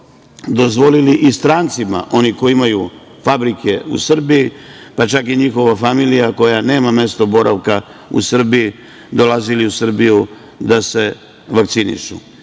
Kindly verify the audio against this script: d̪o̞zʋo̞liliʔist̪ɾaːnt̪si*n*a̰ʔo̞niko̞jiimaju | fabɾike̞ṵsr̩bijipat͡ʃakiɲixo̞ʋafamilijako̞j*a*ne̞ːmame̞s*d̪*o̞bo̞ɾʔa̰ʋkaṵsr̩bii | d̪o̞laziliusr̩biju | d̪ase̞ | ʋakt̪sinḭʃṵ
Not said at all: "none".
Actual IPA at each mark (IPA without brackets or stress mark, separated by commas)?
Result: m, a, t̪